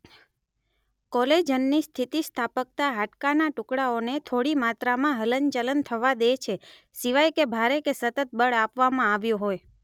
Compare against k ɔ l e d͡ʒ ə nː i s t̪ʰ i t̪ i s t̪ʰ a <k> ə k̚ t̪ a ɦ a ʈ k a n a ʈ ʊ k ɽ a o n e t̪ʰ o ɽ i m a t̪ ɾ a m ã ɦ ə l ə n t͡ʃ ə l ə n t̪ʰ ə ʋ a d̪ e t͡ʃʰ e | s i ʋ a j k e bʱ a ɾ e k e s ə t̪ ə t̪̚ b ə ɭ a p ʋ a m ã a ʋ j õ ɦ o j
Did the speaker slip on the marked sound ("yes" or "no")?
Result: yes